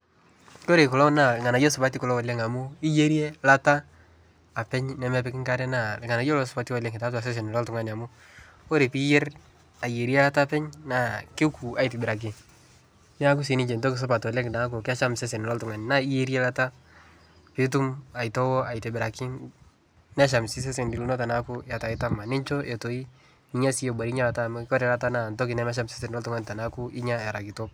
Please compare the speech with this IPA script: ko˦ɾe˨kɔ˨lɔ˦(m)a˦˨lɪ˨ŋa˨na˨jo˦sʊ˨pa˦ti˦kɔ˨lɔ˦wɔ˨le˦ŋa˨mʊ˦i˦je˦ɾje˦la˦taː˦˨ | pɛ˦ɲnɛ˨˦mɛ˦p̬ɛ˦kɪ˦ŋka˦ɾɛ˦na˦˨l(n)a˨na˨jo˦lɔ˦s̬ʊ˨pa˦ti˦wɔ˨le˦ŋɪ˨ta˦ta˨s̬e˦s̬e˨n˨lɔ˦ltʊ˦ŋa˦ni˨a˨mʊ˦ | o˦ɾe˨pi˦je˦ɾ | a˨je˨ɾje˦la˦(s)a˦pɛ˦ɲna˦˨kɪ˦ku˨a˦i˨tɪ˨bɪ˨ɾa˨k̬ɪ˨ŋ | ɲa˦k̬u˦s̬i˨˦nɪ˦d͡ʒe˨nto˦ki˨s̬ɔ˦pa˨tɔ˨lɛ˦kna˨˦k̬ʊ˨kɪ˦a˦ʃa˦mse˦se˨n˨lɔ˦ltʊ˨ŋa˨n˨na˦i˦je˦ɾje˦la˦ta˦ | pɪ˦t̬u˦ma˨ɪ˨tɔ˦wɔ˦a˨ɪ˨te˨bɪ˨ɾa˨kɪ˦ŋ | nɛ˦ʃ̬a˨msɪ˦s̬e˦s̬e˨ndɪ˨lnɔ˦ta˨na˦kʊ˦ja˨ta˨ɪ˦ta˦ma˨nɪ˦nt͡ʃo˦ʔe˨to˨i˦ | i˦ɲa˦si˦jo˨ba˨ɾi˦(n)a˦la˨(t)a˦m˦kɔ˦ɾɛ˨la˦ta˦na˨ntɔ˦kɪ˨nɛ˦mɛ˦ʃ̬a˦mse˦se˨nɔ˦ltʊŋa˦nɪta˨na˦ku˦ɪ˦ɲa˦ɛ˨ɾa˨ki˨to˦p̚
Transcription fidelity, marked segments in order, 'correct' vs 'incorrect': incorrect, incorrect, incorrect, incorrect, correct

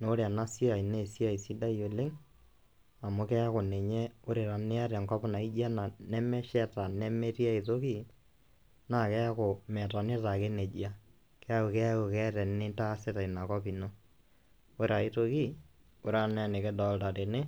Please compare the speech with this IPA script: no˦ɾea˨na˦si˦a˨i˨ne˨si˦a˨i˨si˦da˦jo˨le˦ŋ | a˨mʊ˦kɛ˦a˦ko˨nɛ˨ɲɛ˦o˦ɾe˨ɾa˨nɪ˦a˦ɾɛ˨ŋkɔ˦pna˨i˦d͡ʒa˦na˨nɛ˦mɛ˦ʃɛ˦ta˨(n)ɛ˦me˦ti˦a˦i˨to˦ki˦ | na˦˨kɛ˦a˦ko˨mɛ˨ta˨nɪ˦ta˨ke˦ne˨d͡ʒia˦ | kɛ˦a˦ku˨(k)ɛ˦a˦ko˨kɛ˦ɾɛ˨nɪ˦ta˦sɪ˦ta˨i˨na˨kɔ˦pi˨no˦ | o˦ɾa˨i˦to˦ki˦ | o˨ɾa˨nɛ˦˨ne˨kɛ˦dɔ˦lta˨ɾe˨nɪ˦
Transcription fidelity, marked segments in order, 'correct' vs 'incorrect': correct, correct

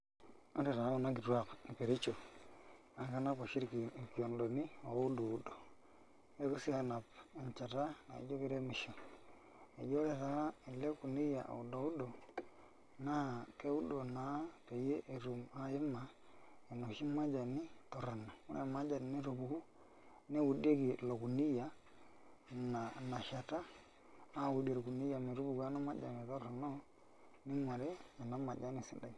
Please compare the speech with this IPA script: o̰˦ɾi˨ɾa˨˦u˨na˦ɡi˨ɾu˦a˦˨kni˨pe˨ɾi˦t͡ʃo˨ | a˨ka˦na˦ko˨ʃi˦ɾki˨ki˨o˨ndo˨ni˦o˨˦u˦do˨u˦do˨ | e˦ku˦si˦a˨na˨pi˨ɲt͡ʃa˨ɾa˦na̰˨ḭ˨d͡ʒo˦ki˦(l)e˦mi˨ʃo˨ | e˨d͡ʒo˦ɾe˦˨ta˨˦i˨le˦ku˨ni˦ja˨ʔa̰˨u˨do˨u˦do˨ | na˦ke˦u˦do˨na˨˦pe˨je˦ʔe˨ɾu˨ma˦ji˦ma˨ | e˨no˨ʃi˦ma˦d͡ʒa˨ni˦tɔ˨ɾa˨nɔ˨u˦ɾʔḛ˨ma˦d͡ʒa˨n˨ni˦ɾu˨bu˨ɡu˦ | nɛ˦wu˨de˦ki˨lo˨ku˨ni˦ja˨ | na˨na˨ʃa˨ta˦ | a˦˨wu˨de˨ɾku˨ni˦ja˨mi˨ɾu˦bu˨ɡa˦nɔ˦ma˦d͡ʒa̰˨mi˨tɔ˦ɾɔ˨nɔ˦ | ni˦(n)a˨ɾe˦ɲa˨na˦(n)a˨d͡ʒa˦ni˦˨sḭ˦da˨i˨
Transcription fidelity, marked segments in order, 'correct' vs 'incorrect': incorrect, incorrect, incorrect

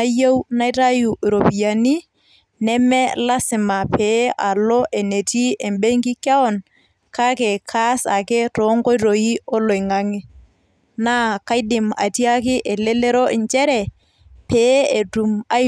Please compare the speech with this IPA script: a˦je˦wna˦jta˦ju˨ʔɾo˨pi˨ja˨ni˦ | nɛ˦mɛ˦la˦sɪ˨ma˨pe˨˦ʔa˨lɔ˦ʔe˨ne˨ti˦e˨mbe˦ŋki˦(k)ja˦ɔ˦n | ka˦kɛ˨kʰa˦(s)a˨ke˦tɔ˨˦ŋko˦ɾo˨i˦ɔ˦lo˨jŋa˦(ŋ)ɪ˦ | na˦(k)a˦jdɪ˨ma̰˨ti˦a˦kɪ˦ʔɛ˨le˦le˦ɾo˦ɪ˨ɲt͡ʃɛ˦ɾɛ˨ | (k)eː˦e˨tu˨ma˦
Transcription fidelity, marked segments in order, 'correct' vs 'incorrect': correct, correct, correct, correct, incorrect

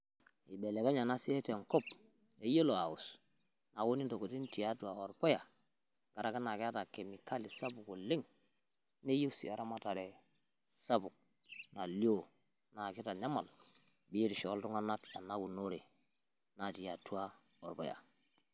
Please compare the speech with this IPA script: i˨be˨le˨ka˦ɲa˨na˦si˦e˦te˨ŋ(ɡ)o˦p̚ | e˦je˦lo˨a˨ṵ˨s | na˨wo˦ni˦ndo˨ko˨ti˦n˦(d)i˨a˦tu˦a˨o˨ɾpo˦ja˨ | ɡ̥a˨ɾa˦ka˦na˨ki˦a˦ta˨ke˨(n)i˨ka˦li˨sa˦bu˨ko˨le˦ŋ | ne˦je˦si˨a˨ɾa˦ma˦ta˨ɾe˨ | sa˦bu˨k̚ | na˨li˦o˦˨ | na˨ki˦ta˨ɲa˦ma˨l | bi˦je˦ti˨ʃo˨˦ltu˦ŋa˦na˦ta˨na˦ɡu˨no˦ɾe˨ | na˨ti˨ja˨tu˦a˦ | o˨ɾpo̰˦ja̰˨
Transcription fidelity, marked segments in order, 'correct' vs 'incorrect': incorrect, incorrect, incorrect

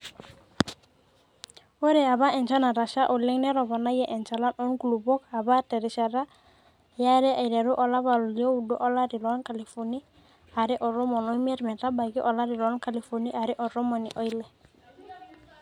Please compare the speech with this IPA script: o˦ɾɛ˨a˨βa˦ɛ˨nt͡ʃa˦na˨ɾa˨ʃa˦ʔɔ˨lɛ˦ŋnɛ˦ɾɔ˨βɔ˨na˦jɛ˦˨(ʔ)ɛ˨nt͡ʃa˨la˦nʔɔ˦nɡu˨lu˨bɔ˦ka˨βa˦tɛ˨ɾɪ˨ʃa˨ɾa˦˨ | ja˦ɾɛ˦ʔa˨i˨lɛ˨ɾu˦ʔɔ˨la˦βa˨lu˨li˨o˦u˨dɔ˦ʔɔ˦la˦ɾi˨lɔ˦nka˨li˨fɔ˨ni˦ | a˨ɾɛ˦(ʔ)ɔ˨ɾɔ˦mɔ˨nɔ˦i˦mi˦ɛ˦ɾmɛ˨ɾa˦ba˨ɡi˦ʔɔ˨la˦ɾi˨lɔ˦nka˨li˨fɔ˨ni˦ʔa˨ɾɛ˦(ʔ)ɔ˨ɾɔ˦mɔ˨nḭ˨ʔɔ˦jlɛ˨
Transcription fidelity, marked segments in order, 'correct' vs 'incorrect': correct, correct, correct

